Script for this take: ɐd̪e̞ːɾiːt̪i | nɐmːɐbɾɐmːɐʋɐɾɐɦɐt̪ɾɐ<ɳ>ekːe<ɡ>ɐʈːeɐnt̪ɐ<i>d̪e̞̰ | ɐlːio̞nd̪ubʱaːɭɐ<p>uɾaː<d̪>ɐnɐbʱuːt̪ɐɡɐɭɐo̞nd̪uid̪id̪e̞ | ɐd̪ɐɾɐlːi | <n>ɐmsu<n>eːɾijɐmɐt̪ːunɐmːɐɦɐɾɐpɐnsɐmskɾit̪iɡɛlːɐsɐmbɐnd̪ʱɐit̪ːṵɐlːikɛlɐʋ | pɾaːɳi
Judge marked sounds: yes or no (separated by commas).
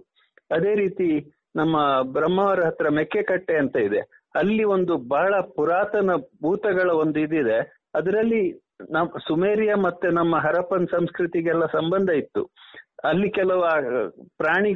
no, no, yes, yes, no, yes, no